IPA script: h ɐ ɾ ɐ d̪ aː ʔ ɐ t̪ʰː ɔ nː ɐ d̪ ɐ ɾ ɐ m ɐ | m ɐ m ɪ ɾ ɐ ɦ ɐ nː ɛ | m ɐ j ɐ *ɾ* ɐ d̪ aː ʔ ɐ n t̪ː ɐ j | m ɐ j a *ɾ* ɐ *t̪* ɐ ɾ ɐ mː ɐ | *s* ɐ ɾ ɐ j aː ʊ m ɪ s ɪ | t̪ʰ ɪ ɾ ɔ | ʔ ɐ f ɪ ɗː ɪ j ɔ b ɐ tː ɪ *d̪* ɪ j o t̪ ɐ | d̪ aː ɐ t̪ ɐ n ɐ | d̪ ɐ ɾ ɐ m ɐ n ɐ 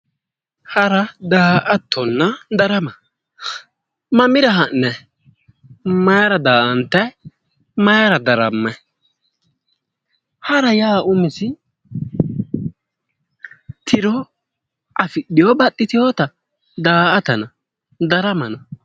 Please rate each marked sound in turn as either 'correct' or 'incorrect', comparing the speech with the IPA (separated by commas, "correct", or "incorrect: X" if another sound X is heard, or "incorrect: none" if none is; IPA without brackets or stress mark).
correct, correct, incorrect: d̪, incorrect: h, incorrect: t̪